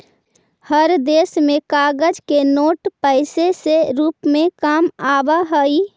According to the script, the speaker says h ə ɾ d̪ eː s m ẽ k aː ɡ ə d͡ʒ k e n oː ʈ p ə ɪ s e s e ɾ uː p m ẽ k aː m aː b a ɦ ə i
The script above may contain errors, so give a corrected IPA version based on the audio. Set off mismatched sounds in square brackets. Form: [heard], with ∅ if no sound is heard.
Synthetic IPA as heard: h ə ɾ d̪ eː s m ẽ k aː ɡ ə d͡ʒ k e n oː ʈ p ə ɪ s e s e ɾ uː p m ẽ k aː m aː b a ɦ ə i